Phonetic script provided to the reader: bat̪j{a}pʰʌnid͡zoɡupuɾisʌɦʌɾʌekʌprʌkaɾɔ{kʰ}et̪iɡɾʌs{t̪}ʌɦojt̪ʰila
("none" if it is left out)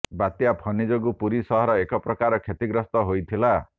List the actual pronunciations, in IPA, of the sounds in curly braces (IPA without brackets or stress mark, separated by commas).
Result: a, kʰ, t̪